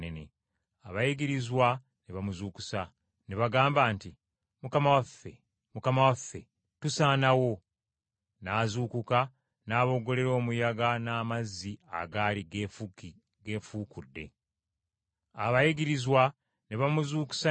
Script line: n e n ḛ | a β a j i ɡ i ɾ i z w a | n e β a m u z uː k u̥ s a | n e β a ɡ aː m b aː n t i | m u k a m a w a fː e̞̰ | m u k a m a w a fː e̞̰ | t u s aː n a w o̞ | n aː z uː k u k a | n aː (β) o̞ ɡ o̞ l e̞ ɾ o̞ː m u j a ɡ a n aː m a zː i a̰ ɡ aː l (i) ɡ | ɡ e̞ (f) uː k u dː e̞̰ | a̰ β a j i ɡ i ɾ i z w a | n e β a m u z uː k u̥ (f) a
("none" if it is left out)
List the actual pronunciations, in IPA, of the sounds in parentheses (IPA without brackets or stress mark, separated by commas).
β, i, f, s